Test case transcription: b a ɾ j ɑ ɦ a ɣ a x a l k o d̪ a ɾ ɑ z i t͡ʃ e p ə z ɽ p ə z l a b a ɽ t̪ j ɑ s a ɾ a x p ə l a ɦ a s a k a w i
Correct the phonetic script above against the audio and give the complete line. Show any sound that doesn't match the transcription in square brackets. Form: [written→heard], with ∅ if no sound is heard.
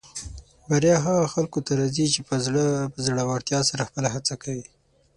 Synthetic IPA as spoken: b a ɾ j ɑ ɦ a ɣ a x a l k o [d̪→t̪] a ɾ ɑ z i t͡ʃ e p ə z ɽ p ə z [l→ɽ] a [b→w] a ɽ t̪ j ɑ s a ɾ a x p ə l a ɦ a [s→t͡s] a k a w i